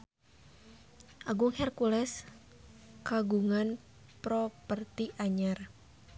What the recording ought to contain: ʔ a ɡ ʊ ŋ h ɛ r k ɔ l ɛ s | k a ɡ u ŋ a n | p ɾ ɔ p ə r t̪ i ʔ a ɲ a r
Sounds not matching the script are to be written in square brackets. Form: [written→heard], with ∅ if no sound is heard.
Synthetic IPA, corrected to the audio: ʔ a ɡ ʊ ŋ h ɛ r k [ɔ→u] l ɛ s | k a ɡ u ŋ a n | p ɾ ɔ p ə r t̪ i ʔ a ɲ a r